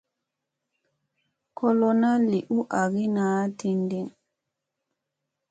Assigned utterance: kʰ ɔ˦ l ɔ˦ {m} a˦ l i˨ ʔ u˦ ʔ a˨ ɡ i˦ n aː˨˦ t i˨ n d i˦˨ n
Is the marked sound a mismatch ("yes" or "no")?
yes